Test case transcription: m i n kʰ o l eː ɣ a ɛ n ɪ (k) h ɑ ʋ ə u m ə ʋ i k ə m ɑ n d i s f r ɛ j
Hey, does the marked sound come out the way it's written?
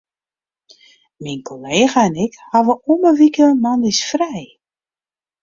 yes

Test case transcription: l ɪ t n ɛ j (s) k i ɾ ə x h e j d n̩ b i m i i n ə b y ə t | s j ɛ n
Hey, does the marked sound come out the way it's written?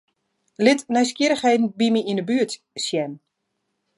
yes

